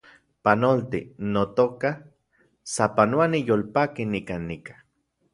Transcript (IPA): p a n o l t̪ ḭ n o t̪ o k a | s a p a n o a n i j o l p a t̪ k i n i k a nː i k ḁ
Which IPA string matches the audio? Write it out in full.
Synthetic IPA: p a n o l t̪ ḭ n o t̪ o k a | s a p a n o a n i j o l p a k i n i k a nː i k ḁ